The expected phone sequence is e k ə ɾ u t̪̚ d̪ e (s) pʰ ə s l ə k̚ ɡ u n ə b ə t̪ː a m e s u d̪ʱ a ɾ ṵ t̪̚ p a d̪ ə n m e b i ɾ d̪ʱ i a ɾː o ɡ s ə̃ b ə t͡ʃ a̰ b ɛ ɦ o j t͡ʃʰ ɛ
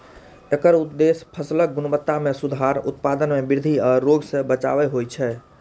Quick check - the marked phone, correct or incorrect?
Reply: correct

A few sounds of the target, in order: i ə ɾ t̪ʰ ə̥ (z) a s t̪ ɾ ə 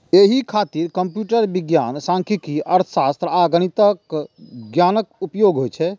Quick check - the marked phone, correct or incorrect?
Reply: incorrect: s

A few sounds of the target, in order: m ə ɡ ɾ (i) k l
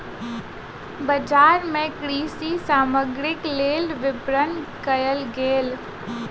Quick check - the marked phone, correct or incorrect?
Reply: incorrect: ɪ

